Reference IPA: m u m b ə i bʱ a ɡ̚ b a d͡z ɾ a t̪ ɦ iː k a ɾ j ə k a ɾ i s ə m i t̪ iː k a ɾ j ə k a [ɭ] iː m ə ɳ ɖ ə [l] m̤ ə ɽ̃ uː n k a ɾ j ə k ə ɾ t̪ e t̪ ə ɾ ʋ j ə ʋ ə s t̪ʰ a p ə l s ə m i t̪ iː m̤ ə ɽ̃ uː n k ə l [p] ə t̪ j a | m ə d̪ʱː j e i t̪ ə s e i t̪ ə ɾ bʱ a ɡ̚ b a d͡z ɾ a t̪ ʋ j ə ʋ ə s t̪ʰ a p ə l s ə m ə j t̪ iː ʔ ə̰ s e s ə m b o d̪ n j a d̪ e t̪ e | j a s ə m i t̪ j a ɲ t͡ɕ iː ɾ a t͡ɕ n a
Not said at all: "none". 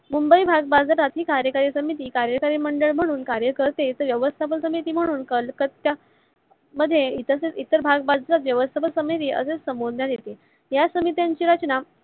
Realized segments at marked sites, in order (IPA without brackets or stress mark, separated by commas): ɾ, ɭ, k